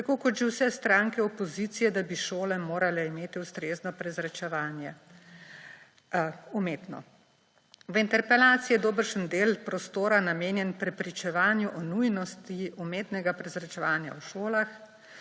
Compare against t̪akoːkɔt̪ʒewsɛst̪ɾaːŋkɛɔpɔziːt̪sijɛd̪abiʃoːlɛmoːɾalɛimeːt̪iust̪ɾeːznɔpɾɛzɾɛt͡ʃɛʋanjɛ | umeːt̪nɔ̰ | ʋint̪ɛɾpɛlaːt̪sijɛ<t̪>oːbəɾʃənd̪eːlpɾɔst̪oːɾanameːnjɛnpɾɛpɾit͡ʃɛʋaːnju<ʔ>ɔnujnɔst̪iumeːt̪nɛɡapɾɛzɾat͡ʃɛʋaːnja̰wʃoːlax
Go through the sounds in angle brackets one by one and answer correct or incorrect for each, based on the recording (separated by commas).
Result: incorrect, correct